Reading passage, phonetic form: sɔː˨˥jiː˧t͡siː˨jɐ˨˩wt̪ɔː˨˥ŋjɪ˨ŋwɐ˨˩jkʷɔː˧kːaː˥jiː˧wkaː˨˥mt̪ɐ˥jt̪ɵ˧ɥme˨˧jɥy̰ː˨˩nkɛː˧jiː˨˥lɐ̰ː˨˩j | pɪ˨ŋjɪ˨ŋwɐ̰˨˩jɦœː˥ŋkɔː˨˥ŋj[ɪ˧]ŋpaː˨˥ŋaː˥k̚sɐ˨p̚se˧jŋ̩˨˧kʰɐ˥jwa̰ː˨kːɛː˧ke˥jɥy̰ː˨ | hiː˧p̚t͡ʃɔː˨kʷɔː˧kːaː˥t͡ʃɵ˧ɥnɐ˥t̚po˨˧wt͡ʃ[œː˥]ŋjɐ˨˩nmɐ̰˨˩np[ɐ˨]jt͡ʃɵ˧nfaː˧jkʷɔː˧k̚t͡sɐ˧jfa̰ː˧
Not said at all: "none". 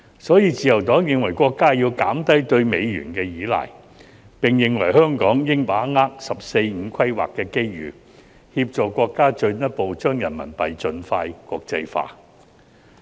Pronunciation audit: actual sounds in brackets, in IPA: ɪ˥, œː˥, ɐ˨

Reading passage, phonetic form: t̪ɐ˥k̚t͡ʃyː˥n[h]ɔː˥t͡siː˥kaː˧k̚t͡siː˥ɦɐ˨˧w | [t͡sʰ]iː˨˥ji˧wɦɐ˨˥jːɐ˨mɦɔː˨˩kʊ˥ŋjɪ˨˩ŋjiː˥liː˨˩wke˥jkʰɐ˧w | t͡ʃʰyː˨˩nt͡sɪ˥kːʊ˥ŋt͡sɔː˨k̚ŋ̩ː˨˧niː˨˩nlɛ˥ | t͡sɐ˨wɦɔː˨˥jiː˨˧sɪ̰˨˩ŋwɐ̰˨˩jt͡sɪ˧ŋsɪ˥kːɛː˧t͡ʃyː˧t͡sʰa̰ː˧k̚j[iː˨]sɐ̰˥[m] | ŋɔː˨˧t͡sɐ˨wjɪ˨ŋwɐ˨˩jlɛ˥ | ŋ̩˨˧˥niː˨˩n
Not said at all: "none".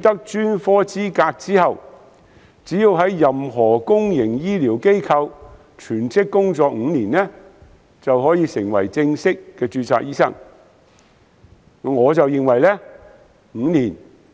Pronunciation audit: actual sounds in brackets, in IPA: f, t͡s, iː˥, ŋ

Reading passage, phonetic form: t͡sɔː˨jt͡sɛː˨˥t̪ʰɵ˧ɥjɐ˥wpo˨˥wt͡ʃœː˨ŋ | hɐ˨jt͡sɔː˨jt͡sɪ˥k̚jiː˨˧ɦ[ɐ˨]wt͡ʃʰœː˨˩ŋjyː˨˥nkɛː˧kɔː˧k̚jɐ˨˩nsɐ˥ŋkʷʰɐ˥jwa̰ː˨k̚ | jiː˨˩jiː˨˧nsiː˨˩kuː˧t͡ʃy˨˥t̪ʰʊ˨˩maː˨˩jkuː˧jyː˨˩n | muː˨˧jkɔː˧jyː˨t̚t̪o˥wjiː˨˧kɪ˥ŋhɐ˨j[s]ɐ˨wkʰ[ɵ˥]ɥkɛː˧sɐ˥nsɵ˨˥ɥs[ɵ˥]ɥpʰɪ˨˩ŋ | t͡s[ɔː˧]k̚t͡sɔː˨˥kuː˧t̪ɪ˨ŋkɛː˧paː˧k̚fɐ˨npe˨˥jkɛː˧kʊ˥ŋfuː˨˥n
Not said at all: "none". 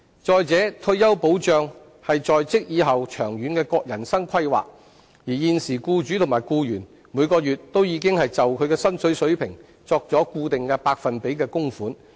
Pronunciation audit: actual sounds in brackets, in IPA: ɐ˨, t͡s, ɵ˨˧, ɵ˨˥, ɔː˧

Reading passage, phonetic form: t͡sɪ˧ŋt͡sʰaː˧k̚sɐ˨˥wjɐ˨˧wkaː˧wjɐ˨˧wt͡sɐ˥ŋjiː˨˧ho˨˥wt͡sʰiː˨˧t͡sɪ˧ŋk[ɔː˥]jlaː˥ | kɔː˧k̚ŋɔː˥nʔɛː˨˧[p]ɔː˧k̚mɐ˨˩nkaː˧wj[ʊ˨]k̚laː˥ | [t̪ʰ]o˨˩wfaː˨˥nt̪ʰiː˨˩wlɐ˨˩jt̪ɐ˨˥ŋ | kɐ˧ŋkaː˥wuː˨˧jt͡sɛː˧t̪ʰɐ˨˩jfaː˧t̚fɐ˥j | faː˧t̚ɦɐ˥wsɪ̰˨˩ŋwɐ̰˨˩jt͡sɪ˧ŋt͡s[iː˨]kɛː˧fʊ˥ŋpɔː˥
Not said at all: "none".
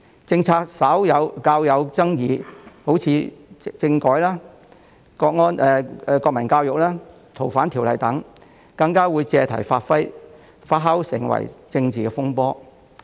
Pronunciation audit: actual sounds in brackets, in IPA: ɔː˨˥, k, ʊ˨, t̪ʰ, iː˨

